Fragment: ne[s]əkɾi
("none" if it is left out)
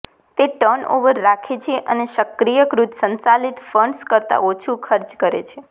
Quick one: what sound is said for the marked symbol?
ʃ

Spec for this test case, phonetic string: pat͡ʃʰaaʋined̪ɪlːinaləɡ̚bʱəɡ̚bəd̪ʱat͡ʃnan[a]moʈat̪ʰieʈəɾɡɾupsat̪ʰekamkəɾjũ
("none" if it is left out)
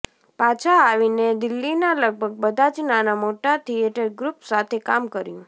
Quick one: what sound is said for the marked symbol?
a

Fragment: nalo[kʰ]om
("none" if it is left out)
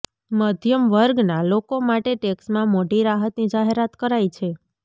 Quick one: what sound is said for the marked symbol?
k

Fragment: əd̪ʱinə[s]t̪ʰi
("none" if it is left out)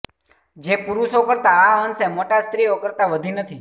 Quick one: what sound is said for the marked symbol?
none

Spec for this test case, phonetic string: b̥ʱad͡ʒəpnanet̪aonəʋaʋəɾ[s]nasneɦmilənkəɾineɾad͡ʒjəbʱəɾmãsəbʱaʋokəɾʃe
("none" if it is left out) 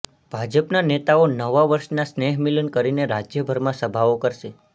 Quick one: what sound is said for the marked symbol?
ʃ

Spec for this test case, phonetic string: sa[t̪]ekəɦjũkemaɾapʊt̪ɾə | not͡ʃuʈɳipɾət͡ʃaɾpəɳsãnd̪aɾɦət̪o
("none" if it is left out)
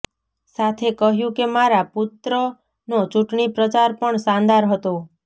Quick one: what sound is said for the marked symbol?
t̪ʰ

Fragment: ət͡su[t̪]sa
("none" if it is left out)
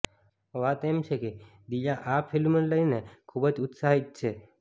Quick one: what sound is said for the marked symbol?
t̪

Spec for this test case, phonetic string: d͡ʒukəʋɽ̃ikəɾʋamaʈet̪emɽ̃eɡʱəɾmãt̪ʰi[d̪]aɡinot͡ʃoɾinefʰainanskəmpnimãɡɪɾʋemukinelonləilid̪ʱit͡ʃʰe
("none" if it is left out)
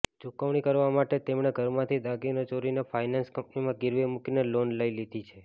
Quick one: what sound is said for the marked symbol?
d̪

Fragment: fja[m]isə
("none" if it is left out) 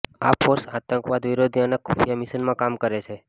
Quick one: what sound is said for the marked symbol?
m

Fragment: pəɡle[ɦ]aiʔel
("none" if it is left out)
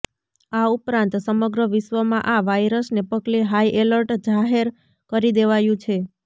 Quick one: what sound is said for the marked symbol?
ɦ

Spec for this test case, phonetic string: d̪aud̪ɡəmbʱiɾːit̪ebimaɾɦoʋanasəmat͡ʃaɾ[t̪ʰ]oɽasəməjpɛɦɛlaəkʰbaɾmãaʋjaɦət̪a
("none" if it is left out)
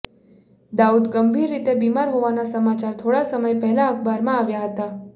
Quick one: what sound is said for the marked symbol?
t̪ʰ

